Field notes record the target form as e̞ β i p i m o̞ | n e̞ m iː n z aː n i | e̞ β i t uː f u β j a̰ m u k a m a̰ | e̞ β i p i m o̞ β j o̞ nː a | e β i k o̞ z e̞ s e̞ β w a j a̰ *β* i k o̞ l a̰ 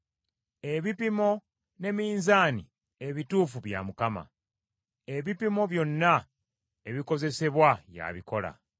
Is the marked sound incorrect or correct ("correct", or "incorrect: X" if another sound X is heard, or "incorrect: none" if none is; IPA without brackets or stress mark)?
correct